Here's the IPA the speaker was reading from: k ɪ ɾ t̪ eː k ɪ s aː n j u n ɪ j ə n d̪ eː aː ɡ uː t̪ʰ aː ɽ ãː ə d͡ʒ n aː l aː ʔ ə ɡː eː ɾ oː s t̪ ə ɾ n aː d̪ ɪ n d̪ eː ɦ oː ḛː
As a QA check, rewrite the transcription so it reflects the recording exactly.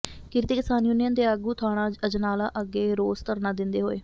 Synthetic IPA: k ɪ ɾ t̪ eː k ɪ s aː n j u n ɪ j ə n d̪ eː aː ɡ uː t̪ʰ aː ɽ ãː ə d͡ʒ n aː l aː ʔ ə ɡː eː ɾ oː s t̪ ə ɾ n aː d̪ ɪ n d̪ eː ɦ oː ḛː